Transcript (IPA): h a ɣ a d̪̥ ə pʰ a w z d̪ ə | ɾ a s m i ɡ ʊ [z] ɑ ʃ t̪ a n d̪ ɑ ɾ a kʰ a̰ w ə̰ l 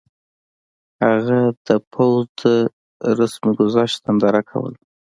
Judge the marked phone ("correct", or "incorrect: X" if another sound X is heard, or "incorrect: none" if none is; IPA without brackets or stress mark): correct